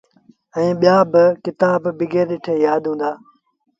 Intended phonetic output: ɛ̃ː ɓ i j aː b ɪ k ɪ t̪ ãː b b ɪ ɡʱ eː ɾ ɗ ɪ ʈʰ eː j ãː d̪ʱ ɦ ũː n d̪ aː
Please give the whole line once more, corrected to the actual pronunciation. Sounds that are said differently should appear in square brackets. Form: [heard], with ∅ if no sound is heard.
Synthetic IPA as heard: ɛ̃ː ɓ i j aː b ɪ k ɪ t̪ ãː b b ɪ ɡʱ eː ɾ ɗ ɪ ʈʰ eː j [aː] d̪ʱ ɦ ũː n d̪ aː